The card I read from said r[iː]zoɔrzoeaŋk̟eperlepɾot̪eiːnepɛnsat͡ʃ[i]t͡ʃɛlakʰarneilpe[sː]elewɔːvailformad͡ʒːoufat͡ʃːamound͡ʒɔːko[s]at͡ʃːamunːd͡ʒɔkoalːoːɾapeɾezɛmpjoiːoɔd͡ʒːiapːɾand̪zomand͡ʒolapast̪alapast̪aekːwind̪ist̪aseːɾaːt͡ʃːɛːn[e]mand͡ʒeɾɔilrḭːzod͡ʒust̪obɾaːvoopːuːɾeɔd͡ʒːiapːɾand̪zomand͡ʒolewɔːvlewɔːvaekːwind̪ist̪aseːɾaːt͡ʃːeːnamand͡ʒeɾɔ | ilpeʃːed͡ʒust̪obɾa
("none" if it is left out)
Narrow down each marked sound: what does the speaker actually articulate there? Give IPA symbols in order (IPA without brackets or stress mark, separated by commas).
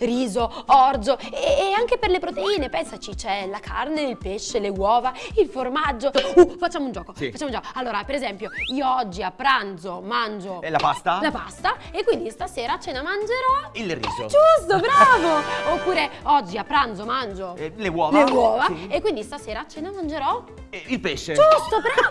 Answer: iː, i, ʃː, f, a